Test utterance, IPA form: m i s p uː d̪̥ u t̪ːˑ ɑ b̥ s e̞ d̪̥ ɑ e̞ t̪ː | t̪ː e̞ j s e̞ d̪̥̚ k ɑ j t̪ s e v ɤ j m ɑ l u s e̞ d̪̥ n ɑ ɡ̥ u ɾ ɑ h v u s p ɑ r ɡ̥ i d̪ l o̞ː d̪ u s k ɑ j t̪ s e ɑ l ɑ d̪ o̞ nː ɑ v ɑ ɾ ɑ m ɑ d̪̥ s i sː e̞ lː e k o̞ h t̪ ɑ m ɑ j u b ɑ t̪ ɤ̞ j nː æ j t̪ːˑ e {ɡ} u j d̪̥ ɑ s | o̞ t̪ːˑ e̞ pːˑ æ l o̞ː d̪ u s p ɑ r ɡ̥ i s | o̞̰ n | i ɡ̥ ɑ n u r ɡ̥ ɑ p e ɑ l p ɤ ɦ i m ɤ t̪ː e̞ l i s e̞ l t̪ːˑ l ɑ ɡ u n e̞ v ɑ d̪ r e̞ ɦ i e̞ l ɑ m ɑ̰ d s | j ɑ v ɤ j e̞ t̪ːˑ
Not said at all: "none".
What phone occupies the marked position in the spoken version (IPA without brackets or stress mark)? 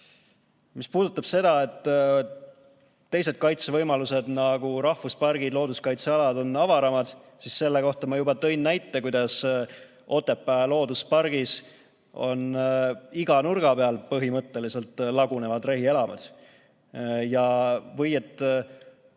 k